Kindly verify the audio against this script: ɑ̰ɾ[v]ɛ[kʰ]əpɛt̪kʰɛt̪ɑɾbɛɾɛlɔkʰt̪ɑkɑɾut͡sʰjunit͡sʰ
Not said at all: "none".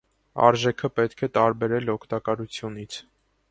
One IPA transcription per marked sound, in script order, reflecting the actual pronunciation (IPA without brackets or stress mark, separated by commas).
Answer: ʒ, kʰ